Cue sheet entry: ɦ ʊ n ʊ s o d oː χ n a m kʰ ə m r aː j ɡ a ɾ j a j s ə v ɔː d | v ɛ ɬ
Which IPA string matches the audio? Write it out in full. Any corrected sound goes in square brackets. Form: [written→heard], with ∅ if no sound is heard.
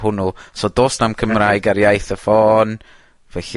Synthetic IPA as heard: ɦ ʊ n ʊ s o d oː [χ→s] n a m kʰ ə m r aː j ɡ a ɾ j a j [s→θ] ə [v→f] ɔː [d→n] | v ɛ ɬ